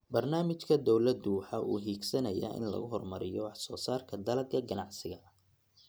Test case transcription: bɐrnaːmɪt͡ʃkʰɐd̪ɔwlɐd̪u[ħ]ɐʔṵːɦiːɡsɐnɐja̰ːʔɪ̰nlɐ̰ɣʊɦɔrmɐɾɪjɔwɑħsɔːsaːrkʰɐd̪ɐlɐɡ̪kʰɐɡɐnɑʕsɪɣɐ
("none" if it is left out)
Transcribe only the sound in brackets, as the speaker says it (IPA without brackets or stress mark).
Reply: ħ